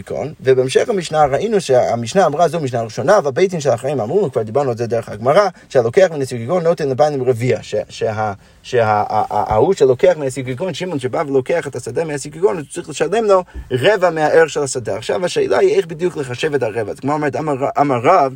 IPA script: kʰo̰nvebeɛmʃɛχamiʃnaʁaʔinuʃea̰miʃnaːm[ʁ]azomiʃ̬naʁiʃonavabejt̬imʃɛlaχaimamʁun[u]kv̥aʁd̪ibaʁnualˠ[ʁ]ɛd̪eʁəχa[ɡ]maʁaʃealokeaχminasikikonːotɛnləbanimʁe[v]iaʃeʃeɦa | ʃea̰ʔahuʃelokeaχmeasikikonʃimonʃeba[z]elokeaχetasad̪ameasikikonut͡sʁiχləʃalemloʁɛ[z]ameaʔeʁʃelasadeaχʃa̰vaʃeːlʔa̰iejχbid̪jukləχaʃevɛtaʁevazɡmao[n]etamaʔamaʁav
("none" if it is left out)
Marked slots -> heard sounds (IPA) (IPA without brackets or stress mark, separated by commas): ʁ, u, z, ɡ, v, v, v, m